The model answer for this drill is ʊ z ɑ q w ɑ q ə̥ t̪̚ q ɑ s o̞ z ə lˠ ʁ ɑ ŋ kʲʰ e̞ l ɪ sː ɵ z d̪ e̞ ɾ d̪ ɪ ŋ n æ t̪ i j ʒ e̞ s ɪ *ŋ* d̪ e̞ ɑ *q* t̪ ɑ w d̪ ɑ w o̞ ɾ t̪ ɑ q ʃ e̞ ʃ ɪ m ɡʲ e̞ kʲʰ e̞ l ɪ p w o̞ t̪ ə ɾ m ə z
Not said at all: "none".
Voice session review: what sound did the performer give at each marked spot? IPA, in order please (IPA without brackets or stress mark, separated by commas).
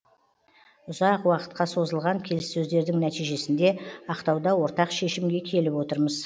n, q